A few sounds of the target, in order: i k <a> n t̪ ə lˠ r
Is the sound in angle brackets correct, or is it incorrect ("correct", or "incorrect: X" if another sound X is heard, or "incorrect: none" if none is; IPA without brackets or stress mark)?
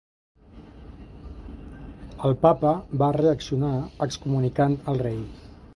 correct